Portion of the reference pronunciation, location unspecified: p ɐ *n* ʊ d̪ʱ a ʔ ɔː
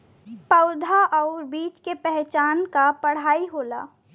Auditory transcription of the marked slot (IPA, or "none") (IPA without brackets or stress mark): none